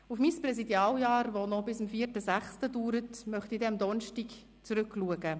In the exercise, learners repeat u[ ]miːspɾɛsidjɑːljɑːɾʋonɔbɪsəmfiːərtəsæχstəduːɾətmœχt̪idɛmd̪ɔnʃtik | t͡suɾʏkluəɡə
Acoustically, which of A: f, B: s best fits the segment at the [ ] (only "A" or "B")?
A